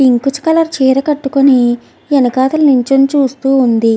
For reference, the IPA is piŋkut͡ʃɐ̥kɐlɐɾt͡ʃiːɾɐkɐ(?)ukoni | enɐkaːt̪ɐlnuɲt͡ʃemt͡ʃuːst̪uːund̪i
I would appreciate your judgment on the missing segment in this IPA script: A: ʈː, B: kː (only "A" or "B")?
A